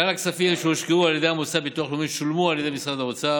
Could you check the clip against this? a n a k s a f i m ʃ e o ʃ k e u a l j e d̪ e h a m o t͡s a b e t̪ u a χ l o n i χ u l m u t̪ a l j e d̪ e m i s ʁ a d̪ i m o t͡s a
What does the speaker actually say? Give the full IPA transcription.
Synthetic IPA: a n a k s a f i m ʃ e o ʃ k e u a l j e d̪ e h a m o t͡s a b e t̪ u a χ l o m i ʃ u l m u a l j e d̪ e m i s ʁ a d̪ a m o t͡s a

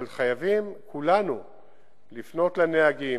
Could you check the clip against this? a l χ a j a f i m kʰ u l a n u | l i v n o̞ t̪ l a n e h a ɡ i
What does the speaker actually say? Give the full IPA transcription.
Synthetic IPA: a l χ a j a v i m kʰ u l a n u | l i f n o̞ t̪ l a n e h a ɡ i

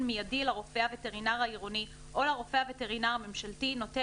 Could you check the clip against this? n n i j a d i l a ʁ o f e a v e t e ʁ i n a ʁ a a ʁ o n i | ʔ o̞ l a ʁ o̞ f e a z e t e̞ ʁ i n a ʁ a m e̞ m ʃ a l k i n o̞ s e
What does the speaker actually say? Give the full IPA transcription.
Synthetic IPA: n m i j a d i l a ʁ o f e a v e t e ʁ i n a ʁ a i ʁ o n i | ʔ o̞ l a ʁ o̞ f e a v e t e̞ ʁ i n a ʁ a m e̞ m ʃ a l t i n o̞ t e

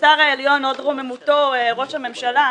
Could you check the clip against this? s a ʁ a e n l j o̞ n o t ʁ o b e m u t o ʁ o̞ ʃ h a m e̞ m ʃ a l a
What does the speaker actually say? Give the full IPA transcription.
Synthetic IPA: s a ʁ a e l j o̞ n o d ʁ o m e m u t o ʁ o̞ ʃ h a m e̞ m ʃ a l a

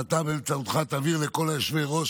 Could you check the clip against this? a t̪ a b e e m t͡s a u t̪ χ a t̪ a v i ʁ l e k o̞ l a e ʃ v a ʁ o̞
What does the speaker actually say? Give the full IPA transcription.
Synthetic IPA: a t̪ a b e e m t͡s a u t̪ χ a t̪ a v i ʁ l e k o̞ l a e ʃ v e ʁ o̞

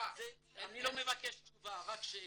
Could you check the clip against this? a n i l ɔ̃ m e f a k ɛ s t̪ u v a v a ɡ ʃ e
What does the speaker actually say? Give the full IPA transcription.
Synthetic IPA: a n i l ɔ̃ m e v a k ɛ ʃ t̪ u v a ʁ a k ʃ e

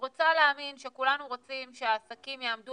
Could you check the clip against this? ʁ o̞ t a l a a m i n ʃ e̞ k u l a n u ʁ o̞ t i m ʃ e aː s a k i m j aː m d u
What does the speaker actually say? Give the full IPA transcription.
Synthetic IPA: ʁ o̞ t͡s a l e a m i n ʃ e̞ k u l a n u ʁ o̞ t͡s i m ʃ e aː s a k i m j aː m d u

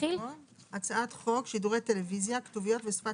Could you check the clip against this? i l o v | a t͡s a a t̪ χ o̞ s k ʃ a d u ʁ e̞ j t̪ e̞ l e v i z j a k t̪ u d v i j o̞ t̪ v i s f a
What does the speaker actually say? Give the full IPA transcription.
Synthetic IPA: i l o | a t͡s a a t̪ χ o̞ k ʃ i d u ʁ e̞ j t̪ e̞ l e v i z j a k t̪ u v i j o̞ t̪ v e s f a

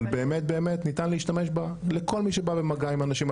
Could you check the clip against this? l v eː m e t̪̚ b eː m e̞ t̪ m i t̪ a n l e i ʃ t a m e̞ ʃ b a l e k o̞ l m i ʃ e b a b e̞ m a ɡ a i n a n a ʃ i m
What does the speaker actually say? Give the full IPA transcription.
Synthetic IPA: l b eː m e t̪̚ b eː m e̞ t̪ n i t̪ a n l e i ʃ t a m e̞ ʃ b a l e k o̞ l m i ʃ e b a b e̞ m a ɡ a i m a n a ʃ i m

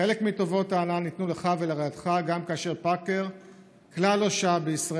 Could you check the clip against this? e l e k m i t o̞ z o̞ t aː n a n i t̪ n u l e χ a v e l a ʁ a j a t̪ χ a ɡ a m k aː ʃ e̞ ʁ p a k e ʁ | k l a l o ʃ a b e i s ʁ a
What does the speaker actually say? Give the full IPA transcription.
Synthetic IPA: e l e k m i t o̞ v o̞ t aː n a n i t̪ n u l e χ a v e l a ʁ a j a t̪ χ a ɡ a m k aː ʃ e̞ ʁ p a k e ʁ | k l a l o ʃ a b e i s ʁ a

